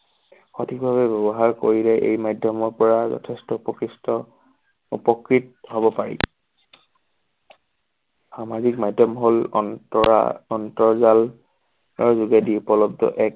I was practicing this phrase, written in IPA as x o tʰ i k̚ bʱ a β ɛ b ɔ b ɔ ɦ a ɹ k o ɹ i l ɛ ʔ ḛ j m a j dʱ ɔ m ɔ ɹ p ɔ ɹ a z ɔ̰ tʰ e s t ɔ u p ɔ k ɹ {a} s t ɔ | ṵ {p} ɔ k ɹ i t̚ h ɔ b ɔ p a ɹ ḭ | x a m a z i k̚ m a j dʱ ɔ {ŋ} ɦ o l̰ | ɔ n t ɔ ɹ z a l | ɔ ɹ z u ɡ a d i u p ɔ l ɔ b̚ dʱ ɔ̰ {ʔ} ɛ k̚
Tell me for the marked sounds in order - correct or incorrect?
incorrect, correct, incorrect, correct

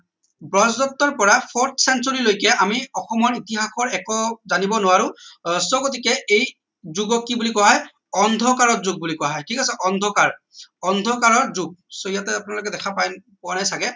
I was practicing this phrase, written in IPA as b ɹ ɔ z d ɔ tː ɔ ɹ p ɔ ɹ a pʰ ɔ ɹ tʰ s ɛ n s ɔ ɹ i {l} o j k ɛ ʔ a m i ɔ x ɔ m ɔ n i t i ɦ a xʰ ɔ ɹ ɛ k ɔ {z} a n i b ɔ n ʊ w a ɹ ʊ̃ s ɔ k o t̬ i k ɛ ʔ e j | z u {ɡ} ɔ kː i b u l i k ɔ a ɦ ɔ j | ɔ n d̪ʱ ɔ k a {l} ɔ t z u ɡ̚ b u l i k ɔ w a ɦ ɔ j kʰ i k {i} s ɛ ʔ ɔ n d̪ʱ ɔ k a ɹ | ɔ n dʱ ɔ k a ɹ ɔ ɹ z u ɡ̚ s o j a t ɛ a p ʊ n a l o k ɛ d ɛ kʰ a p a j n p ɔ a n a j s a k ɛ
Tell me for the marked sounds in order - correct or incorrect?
correct, correct, correct, incorrect, incorrect

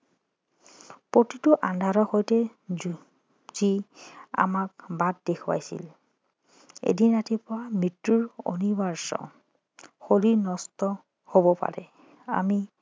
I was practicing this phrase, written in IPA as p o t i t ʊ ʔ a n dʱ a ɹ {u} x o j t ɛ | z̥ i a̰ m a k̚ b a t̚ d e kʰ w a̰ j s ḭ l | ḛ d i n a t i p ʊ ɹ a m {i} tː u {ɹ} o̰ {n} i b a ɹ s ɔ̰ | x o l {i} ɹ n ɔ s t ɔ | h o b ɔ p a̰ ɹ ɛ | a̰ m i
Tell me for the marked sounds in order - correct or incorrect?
incorrect, correct, correct, correct, correct

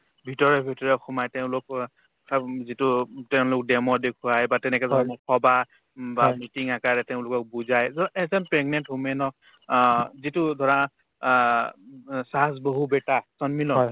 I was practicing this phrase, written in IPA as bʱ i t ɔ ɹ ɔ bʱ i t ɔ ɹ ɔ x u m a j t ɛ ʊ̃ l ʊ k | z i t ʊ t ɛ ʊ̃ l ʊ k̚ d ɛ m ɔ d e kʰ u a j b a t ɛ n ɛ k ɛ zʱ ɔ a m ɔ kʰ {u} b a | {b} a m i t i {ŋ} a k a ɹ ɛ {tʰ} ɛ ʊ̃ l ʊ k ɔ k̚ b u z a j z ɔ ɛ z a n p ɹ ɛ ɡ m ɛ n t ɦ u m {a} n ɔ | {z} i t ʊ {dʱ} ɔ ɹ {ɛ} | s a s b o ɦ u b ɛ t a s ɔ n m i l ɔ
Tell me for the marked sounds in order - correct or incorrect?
incorrect, correct, correct, incorrect, incorrect, correct, correct, incorrect

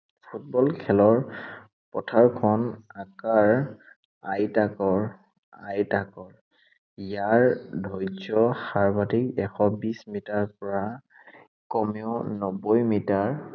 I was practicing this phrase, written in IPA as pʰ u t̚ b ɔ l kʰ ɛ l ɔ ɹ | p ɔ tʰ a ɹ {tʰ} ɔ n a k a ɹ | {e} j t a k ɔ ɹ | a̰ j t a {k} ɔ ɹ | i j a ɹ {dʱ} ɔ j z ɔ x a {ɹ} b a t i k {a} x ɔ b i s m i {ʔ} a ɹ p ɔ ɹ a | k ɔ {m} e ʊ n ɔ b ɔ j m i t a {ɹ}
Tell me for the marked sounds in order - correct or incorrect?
incorrect, incorrect, correct, correct, correct, incorrect, incorrect, correct, correct

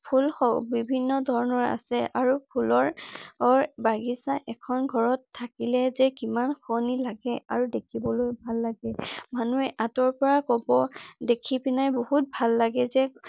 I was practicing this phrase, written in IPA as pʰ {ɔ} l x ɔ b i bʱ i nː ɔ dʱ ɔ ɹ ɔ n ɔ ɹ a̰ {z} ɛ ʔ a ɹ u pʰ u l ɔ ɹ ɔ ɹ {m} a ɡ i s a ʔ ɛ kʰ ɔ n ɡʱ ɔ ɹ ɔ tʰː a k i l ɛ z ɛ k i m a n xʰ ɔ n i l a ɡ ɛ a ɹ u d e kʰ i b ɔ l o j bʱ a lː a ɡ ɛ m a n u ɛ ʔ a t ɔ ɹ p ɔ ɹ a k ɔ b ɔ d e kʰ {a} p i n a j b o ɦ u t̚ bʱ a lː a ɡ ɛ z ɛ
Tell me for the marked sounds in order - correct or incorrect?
incorrect, incorrect, incorrect, incorrect

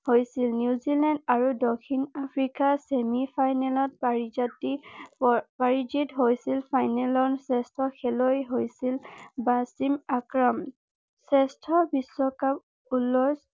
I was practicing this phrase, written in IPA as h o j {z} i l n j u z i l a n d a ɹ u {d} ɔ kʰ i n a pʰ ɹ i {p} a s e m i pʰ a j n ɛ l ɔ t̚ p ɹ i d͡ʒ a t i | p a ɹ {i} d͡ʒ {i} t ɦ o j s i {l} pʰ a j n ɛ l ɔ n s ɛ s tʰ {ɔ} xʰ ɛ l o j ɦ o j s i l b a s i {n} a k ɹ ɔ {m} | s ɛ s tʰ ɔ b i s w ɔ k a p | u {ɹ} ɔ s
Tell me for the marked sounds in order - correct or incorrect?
incorrect, correct, incorrect, correct, correct, correct, correct, incorrect, correct, incorrect

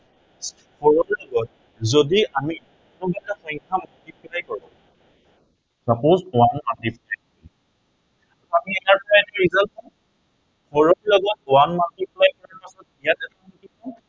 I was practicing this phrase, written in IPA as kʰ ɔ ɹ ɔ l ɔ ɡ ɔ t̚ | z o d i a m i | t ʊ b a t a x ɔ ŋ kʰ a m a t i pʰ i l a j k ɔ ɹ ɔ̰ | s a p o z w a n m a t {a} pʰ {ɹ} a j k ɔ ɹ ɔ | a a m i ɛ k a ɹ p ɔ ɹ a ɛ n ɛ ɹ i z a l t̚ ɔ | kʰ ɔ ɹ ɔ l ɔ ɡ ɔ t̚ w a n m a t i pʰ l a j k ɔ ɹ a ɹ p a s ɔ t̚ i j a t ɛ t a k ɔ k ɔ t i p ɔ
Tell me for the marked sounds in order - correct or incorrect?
incorrect, incorrect

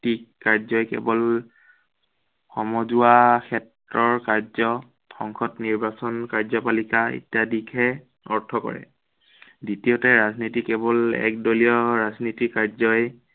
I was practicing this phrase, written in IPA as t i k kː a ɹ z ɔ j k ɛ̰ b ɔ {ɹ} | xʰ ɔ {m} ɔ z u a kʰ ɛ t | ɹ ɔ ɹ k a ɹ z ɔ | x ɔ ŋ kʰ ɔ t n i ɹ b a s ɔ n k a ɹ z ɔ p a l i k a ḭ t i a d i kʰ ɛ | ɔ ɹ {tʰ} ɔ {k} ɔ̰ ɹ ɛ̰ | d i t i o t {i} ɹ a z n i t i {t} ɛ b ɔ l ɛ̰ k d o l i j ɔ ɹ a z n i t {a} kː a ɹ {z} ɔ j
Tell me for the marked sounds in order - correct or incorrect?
incorrect, correct, correct, correct, incorrect, incorrect, incorrect, correct

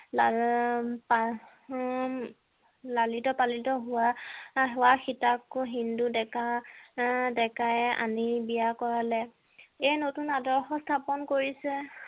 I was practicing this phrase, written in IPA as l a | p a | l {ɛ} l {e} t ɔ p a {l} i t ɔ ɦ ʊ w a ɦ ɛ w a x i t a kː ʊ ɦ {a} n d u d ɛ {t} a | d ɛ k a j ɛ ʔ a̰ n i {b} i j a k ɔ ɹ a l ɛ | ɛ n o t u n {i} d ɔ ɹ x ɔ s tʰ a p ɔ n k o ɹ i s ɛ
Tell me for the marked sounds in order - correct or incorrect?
incorrect, incorrect, correct, incorrect, incorrect, correct, incorrect

